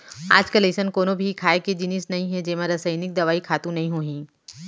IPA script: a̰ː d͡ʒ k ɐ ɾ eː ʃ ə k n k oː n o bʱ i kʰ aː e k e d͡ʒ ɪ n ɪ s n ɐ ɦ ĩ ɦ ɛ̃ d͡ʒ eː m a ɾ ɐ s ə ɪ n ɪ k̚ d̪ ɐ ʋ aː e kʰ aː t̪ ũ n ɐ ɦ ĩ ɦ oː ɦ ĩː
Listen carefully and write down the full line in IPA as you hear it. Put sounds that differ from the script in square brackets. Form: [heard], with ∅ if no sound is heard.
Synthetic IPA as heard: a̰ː d͡ʒ k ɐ [l] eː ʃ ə [∅] n k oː n o bʱ i kʰ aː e k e d͡ʒ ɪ n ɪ s n ɐ ɦ ĩ ɦ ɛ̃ d͡ʒ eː m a ɾ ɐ s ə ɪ n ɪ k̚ d̪ ɐ ʋ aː [i] kʰ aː t̪ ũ n ɐ ɦ ĩ ɦ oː ɦ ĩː